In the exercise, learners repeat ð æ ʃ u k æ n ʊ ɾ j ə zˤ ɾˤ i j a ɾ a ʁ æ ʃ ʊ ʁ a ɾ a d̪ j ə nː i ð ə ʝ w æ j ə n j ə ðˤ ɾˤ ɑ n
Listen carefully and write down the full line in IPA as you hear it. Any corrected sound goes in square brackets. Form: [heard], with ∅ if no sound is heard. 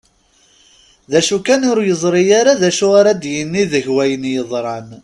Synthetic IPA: ð æ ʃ u k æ n ʊ ɾ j ə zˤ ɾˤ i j a ɾ a [ð] æ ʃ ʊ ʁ a ɾ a d̪ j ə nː i ð ə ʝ w æ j ə n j ə ðˤ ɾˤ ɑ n

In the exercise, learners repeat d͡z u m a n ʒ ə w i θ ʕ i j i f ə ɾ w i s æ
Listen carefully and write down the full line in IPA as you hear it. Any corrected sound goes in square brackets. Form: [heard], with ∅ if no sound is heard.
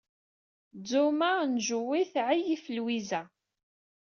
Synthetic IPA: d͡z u m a n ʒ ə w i θ ʕ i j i f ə [l] w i [z] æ

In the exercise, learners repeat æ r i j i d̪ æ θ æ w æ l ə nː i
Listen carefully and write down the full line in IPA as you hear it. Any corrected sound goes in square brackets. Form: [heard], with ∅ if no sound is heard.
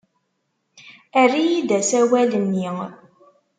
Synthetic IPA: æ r i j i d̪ æ [s] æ w æ l ə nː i

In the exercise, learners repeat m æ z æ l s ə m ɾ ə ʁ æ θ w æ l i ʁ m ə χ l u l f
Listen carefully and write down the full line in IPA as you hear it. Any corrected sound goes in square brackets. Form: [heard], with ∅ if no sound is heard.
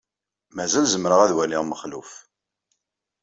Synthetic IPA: m æ z æ l [z] ə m ɾ ə ʁ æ [ð] w æ l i ʁ m ə χ l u [∅] f

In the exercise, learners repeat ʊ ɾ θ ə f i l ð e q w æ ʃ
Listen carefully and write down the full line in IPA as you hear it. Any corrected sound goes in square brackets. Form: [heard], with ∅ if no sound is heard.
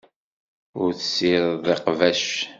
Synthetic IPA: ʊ ɾ θ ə [s] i [ɾ] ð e q [v] æ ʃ

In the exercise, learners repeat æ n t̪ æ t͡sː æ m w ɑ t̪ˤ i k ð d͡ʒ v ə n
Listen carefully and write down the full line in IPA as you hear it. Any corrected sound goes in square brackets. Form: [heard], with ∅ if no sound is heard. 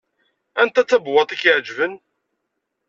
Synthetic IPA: æ n t̪ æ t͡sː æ [b] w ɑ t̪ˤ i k [ʕ] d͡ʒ v ə n

